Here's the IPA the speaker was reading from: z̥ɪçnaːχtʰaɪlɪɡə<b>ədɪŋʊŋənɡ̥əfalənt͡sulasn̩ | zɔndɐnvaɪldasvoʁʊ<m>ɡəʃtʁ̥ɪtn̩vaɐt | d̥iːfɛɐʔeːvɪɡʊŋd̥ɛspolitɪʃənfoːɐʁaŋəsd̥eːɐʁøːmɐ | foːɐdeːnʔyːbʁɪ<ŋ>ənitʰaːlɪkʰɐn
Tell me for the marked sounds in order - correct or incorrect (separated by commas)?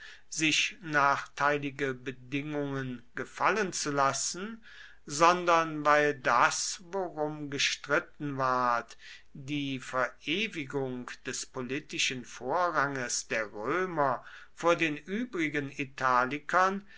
correct, correct, incorrect